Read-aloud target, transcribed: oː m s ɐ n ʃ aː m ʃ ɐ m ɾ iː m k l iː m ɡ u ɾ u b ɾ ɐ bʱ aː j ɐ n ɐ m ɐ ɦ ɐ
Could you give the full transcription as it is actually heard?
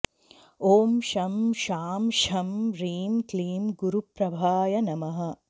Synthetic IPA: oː m ʃ ɐ m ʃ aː m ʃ ɐ m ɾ iː m k l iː m ɡ u ɾ u p ɾ ɐ bʱ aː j ɐ n ɐ m ɐ ɦ ɐ